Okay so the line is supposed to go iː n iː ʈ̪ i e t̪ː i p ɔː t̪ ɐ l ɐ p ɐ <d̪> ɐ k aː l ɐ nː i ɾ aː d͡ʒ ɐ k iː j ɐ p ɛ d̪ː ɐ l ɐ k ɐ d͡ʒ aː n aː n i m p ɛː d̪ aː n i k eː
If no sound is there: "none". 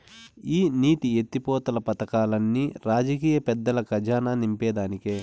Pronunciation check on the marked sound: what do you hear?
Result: t̪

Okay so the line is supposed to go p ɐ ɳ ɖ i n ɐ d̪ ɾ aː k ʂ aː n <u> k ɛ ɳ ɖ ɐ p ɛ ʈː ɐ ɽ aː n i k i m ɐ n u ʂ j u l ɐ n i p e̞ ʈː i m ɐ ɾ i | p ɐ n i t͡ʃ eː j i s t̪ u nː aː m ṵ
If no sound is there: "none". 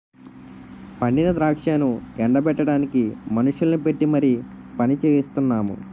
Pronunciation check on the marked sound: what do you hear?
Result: u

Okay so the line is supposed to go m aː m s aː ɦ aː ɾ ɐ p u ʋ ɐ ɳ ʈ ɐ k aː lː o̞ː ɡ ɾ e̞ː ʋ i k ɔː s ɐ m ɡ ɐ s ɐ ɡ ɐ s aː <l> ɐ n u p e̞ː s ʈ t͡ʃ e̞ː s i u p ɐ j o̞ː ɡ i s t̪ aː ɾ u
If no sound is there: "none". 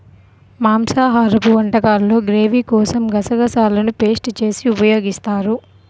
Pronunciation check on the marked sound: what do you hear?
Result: l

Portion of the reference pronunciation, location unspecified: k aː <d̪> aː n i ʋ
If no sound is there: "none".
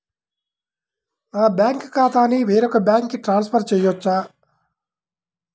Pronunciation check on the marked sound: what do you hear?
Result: t̪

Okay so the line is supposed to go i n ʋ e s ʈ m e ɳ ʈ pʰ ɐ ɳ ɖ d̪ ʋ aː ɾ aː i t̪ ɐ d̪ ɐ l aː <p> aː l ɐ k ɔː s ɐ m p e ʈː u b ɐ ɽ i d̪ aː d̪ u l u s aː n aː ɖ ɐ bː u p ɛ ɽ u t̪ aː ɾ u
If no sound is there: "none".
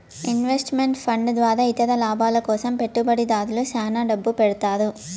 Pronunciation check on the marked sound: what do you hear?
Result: b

